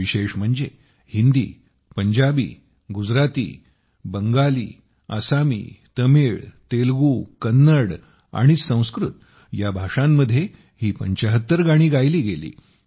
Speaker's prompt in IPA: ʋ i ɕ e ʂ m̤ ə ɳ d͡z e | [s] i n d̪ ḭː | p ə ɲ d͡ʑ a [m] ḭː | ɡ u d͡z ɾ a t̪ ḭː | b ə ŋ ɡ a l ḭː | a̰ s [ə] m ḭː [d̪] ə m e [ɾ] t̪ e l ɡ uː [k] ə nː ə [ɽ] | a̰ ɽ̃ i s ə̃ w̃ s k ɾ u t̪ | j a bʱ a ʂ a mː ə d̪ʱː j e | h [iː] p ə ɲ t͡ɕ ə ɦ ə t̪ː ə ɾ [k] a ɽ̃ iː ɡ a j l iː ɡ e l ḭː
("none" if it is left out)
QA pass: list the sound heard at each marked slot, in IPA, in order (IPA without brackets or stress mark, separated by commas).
h, b, a, t̪, ɭ, k, ɽ, iː, ɡ